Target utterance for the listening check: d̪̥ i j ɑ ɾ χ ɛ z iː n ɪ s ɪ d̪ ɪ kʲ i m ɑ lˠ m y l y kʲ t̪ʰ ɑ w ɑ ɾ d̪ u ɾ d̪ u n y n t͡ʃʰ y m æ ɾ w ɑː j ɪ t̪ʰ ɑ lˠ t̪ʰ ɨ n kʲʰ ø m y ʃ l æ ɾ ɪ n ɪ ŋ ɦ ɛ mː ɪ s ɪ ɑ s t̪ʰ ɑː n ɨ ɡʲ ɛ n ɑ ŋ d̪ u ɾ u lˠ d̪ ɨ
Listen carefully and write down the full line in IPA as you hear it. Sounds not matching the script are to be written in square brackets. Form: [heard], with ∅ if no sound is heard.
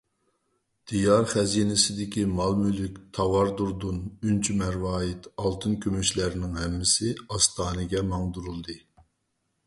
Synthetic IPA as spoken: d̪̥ i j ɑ ɾ χ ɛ z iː n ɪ s ɪ d̪ ɪ kʲ i m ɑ lˠ m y l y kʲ t̪ʰ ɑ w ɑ ɾ d̪ u ɾ d̪ u n y n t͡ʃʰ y m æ ɾ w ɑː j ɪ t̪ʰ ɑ lˠ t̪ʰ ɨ n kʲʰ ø m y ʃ l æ ɾ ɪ n ɪ ŋ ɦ ɛ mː ɪ s ɪ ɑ s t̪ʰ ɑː n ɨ ɡʲ ɛ [m] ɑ ŋ d̪ u ɾ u lˠ d̪ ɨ